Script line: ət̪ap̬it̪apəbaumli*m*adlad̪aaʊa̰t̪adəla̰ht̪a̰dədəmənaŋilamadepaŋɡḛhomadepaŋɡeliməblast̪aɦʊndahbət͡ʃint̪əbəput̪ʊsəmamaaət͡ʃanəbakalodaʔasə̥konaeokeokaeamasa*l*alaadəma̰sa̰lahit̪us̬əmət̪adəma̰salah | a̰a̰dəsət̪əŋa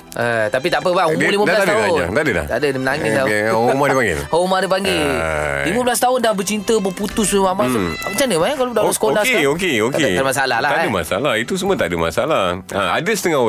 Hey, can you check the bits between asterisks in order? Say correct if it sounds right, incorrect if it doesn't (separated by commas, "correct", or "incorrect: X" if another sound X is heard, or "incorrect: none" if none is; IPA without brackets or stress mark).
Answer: correct, correct